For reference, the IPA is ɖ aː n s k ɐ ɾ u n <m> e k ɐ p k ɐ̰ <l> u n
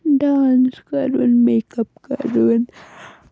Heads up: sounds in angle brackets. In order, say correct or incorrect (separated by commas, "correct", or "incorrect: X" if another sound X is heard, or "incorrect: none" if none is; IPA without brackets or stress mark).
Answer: correct, incorrect: ɾ